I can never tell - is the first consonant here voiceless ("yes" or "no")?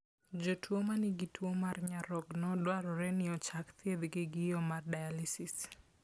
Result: no